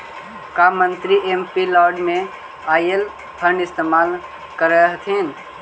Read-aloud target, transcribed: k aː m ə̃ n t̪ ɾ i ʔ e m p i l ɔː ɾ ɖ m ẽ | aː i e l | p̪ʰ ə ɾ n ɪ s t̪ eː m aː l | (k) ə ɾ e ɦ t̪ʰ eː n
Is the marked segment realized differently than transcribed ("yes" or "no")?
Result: no